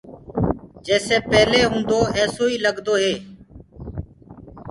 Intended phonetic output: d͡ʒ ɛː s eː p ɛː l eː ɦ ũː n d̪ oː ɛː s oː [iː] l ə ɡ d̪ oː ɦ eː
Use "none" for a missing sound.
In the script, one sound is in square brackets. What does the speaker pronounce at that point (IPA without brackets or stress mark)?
iː